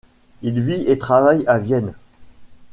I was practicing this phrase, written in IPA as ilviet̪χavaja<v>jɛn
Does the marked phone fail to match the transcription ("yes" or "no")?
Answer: no